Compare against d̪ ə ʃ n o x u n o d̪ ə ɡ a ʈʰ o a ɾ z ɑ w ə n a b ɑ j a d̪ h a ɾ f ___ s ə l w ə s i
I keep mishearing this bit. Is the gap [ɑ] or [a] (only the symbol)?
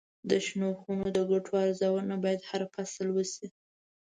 a